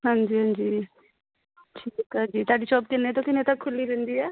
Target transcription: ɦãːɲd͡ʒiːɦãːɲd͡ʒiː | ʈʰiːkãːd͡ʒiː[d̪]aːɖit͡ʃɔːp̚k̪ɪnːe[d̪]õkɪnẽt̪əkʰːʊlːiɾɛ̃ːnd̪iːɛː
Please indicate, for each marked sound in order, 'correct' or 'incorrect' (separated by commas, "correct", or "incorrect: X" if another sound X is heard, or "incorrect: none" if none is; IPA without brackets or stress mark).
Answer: incorrect: t̪, incorrect: t̪